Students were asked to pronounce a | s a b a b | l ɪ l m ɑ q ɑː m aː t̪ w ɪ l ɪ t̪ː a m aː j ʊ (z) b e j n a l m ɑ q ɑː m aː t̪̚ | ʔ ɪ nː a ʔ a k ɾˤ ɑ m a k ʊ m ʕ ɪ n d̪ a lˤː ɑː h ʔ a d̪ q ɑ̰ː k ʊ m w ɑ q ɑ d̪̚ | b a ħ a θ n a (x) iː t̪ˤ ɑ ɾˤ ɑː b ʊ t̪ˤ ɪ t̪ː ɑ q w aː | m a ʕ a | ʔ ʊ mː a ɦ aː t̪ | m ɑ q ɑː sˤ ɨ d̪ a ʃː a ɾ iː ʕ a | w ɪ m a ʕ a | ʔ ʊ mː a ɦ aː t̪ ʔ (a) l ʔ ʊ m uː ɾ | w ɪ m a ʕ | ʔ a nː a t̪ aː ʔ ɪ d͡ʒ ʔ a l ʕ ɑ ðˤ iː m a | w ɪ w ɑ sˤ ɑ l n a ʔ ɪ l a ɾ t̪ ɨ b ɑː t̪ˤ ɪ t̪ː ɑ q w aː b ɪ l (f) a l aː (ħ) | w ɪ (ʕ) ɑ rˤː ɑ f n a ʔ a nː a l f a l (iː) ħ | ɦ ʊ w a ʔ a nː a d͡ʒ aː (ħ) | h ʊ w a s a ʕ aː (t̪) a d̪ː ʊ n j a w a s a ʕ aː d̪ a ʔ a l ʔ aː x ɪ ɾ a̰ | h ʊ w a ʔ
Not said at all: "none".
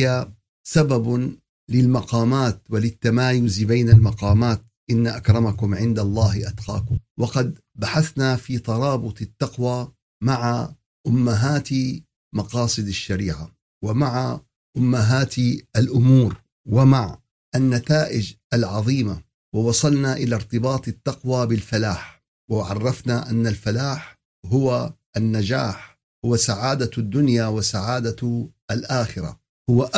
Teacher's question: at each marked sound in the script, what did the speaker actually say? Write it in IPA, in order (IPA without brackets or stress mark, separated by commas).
z, f, a, f, ħ, ʕ, aː, ħ, d̪